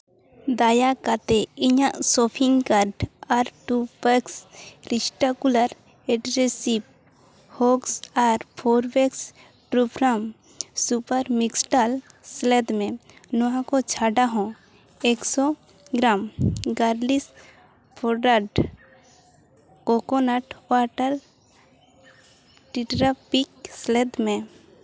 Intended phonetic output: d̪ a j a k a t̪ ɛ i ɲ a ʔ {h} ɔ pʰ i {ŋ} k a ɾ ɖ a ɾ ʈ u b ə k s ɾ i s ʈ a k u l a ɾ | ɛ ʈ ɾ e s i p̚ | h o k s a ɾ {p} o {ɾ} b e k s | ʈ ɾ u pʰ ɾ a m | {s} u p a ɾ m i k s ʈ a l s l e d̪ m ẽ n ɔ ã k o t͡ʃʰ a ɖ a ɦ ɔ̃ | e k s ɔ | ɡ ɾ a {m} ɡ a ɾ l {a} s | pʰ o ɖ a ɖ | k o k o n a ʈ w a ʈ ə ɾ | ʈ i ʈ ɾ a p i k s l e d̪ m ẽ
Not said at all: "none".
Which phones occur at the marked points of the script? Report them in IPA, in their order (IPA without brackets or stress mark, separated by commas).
s, ŋ, pʰ, ɾ, s, m, i